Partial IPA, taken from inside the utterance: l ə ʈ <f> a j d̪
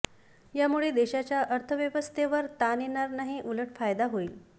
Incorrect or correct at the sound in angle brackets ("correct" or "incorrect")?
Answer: correct